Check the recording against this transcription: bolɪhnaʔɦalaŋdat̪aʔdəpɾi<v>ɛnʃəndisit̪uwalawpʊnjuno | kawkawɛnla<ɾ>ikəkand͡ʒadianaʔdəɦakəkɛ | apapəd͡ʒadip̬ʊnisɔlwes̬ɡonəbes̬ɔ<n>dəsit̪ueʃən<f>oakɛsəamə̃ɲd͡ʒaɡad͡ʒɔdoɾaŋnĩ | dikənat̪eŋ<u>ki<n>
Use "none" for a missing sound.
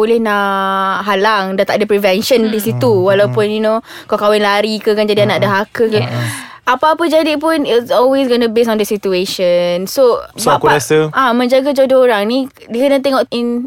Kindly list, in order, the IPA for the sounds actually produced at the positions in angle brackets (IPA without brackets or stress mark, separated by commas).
v, ɾ, n, s, ɔ, n